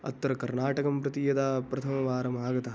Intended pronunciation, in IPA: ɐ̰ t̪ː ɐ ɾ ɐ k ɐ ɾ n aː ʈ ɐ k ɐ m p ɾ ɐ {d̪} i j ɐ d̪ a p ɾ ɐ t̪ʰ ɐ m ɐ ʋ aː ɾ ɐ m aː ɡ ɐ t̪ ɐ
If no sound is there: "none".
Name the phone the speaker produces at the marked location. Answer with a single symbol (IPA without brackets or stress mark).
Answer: t̪